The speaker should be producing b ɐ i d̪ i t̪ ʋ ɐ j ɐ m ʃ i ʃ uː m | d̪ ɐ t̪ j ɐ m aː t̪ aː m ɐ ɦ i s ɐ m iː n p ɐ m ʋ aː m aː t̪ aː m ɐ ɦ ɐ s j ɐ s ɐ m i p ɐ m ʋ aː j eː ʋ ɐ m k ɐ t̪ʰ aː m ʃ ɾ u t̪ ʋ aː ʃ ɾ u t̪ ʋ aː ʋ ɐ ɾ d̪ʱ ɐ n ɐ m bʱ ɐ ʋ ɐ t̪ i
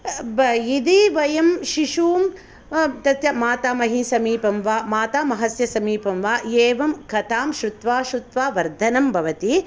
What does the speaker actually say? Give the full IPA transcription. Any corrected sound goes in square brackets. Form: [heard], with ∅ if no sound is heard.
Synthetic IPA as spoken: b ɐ i d̪ i [∅] ʋ ɐ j ɐ m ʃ i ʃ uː m | [t̪] ɐ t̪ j ɐ m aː t̪ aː m ɐ ɦ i s ɐ m iː [∅] p ɐ m ʋ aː m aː t̪ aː m ɐ ɦ ɐ s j ɐ s ɐ m [iː] p ɐ m ʋ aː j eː ʋ ɐ m k ɐ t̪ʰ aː m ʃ ɾ u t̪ ʋ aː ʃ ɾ u t̪ ʋ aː ʋ ɐ ɾ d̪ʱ ɐ n ɐ m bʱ ɐ ʋ ɐ t̪ i